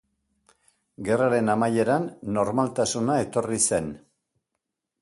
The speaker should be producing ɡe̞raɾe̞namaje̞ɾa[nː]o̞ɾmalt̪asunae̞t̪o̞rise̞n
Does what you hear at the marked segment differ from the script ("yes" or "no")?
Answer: no